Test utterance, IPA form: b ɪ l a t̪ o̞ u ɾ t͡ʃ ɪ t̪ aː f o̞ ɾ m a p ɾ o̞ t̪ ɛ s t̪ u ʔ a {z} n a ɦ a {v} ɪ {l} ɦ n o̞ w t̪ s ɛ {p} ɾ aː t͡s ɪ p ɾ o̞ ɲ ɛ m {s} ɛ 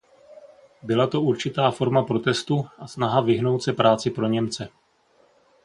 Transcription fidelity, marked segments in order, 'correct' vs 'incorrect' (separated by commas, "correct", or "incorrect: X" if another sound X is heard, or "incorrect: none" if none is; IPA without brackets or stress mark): incorrect: s, correct, incorrect: none, correct, incorrect: t͡s